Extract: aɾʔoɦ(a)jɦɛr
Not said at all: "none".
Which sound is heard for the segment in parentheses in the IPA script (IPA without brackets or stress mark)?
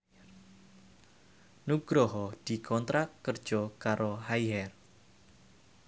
a